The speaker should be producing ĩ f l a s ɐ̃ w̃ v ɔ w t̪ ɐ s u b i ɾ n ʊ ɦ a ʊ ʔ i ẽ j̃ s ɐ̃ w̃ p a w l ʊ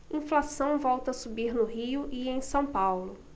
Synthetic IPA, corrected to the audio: ĩ f l a s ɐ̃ w̃ v ɔ w t̪ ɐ s u b i ɾ n ʊ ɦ i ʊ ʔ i ẽ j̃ s ɐ̃ w̃ p a w l ʊ